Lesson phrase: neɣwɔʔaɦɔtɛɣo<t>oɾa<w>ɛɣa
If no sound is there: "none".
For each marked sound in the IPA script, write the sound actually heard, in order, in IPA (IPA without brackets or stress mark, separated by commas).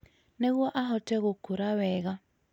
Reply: k, w